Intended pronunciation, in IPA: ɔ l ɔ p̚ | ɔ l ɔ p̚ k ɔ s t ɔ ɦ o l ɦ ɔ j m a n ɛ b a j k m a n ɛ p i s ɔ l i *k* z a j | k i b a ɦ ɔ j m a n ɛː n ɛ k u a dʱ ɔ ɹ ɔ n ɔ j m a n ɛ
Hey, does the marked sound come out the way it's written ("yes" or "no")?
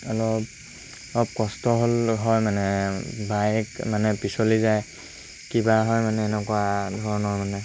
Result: no